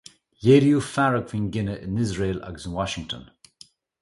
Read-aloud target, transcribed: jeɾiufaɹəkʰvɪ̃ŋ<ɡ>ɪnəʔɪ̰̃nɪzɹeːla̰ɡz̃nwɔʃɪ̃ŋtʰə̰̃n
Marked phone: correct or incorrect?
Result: correct